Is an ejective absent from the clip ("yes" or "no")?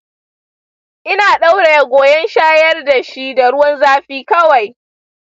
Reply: yes